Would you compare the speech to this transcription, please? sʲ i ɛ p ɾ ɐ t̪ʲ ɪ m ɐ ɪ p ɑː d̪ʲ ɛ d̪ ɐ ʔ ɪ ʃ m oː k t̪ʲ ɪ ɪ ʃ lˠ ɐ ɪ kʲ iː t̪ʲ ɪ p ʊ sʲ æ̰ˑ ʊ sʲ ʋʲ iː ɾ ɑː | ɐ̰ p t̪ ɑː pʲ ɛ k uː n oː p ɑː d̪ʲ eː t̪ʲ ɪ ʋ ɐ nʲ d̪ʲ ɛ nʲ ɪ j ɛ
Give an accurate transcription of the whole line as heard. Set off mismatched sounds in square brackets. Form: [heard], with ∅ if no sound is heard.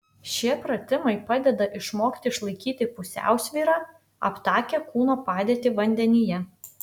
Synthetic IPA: [ʃʲ] i ɛ p ɾ ɐ t̪ʲ ɪ m ɐ ɪ p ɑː d̪ʲ ɛ d̪ ɐ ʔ ɪ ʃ m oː k t̪ʲ ɪ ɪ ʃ lˠ ɐ ɪ kʲ iː t̪ʲ ɪ p ʊ sʲ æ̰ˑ ʊ sʲ ʋʲ iː ɾ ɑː | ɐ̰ p t̪ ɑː [kʲ] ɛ k uː n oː p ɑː d̪ʲ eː t̪ʲ ɪ ʋ ɐ nʲ d̪ʲ ɛ nʲ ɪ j ɛ

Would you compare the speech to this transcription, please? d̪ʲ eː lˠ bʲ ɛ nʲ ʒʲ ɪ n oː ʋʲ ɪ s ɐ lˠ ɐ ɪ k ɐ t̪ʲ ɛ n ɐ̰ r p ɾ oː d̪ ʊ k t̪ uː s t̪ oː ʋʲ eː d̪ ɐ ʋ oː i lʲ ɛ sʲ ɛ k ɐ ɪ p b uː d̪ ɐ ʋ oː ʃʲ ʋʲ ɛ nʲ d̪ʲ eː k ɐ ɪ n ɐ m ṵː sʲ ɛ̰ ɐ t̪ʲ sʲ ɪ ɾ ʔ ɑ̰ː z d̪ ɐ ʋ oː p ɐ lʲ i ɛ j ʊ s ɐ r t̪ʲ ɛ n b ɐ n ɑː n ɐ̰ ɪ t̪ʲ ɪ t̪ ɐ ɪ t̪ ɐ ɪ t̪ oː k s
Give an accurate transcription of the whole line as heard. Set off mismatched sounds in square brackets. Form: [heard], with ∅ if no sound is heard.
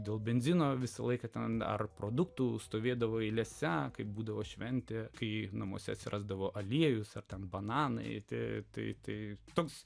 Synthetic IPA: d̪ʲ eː lˠ bʲ ɛ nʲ [zʲ] ɪ n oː ʋʲ ɪ s ɐ lˠ ɐ ɪ k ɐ t̪ʲ ɛ n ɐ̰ r p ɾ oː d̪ ʊ k t̪ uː s t̪ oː ʋʲ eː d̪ ɐ ʋ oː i lʲ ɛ sʲ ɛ k ɐ ɪ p b uː d̪ ɐ ʋ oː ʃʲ ʋʲ ɛ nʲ [t̪ʲ] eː k ɐ ɪ n ɐ m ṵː sʲ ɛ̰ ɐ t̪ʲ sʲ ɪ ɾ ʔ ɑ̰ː z d̪ ɐ ʋ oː [ʔ] ɐ lʲ i ɛ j ʊ s ɐ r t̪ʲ ɛ n b ɐ n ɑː n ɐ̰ ɪ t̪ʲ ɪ t̪ ɐ ɪ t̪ ɐ ɪ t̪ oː k s

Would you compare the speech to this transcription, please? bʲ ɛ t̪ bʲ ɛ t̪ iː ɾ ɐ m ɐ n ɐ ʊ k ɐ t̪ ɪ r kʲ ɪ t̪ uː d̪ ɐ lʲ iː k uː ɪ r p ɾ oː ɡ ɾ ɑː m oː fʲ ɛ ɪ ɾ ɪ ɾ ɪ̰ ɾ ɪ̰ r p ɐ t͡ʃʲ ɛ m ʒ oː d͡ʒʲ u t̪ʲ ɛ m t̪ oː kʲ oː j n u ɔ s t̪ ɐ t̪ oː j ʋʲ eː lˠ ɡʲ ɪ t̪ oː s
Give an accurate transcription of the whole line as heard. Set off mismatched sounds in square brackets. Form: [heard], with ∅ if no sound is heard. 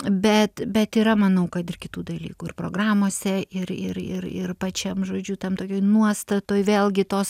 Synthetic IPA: bʲ ɛ t̪ bʲ ɛ t̪ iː ɾ ɐ m ɐ n ɐ ʊ k ɐ t̪ ɪ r kʲ ɪ t̪ uː d̪ ɐ lʲ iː k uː ɪ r p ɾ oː ɡ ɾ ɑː m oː [sʲ] ɛ ɪ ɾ ɪ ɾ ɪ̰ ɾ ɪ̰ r p ɐ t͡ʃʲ ɛ m ʒ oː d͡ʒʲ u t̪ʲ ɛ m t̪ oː kʲ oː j n u ɔ s t̪ ɐ t̪ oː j ʋʲ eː lˠ ɡʲ ɪ t̪ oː s

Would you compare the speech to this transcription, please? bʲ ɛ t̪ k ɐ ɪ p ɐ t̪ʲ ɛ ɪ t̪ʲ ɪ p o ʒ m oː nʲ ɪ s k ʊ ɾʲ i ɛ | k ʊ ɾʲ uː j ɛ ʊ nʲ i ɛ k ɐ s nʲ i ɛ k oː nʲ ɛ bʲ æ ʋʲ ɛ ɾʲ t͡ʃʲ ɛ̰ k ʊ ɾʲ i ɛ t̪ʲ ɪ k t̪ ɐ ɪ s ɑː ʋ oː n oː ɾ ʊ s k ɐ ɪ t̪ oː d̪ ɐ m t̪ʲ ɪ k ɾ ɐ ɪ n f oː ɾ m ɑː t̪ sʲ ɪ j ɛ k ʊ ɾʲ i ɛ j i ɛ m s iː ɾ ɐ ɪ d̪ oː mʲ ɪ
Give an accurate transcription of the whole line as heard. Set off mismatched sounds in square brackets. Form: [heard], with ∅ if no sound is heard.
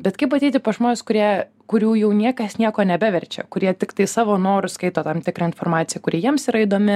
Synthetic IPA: bʲ ɛ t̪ k ɐ ɪ p ɐ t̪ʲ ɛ ɪ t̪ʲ ɪ p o ʒ m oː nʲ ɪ s k ʊ ɾʲ i ɛ | k ʊ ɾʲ uː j ɛ ʊ nʲ i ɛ k ɐ s nʲ i ɛ k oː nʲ ɛ bʲ æ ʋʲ ɛ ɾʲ t͡ʃʲ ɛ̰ k ʊ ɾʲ i ɛ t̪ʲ ɪ k t̪ ɐ ɪ s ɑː ʋ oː n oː ɾ ʊ s k ɐ ɪ t̪ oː [t̪] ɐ m t̪ʲ ɪ k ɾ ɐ ɪ n f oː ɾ m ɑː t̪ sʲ ɪ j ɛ k ʊ ɾʲ i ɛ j i ɛ m s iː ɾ ɐ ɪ d̪ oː mʲ ɪ

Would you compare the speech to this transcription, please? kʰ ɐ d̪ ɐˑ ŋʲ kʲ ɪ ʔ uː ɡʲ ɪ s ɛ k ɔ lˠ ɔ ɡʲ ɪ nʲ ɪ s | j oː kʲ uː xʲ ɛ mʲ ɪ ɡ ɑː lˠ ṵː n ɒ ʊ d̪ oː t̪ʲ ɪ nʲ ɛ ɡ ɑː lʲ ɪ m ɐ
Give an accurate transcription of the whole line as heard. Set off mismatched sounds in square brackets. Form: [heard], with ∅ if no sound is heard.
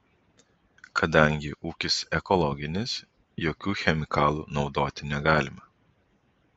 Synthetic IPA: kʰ ɐ d̪ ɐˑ ŋʲ [ɡʲ] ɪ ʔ uː [kʲ] ɪ s ɛ k ɔ lˠ ɔ ɡʲ ɪ nʲ ɪ s | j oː kʲ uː xʲ ɛ mʲ ɪ [k] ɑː lˠ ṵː n ɒ ʊ d̪ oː t̪ʲ ɪ nʲ ɛ ɡ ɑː lʲ ɪ m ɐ

